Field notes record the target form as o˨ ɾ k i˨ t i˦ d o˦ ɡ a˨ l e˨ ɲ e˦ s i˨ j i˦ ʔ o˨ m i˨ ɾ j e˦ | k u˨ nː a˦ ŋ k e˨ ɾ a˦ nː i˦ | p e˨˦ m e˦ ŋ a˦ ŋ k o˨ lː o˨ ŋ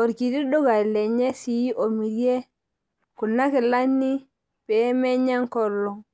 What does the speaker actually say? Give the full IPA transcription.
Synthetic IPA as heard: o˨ ɾ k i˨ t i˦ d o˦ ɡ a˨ l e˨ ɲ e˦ s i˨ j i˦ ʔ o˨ m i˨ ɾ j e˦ | k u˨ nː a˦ k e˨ l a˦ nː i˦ | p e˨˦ m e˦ ɲ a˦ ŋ k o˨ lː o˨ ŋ